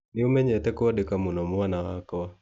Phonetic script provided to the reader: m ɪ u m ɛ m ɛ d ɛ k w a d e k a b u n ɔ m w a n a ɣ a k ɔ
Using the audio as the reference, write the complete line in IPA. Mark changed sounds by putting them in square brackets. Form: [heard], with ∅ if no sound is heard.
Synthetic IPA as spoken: [n] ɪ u m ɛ [ɲ] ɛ [t] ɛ k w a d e k a [m] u n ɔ m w a n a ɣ a k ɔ